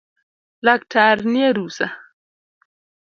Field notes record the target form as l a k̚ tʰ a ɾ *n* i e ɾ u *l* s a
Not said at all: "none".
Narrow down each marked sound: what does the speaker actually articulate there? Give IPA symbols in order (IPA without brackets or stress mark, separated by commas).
n, none